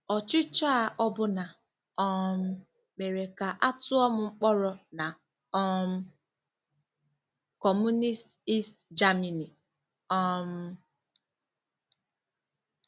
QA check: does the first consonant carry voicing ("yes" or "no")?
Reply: no